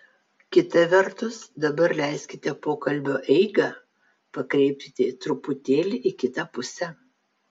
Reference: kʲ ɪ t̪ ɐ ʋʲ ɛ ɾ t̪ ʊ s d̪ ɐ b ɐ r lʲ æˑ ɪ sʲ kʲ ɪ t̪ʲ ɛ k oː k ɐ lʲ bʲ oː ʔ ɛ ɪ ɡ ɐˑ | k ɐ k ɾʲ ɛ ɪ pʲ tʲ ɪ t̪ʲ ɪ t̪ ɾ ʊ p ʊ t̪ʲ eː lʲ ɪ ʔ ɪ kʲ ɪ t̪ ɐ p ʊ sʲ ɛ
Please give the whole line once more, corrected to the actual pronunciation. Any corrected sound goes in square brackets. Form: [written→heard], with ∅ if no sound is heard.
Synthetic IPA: kʲ ɪ t̪ ɐ ʋʲ ɛ ɾ t̪ ʊ s d̪ ɐ b ɐ [r→ɾ] lʲ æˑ ɪ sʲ kʲ ɪ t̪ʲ ɛ [k→p] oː k ɐ lʲ bʲ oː ʔ ɛ ɪ ɡ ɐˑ | [k→p] ɐ k ɾʲ ɛ ɪ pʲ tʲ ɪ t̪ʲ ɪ t̪ ɾ ʊ p ʊ t̪ʲ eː lʲ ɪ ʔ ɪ kʲ ɪ t̪ ɐ p ʊ sʲ ɛ